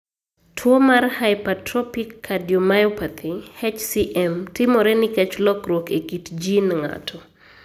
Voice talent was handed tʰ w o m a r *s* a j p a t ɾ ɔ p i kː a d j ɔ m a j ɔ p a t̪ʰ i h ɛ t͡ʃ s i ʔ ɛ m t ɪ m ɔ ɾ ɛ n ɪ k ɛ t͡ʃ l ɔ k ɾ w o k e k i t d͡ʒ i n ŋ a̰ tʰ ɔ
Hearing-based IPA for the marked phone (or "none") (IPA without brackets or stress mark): h